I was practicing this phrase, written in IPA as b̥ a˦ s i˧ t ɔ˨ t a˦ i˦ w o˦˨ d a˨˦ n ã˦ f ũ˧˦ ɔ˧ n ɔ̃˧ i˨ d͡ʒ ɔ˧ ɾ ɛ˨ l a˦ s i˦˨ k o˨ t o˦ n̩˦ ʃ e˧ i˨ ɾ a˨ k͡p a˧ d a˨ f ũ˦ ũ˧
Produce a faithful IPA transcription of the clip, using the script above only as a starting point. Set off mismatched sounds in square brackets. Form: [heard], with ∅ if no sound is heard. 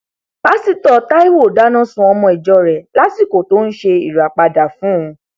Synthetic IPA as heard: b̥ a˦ s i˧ t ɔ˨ t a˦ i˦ w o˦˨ d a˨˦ n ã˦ [s] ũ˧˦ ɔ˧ [m] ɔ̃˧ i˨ d͡ʒ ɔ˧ ɾ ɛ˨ l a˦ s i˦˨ k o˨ t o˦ n̩˦ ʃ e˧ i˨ ɾ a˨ k͡p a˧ d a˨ f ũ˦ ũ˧